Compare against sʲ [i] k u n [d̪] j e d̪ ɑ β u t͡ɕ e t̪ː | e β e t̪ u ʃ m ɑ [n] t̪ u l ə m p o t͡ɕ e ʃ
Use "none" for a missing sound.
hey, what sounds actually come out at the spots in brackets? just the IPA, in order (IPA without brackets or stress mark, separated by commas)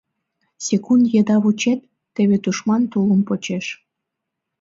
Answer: e, d̪, n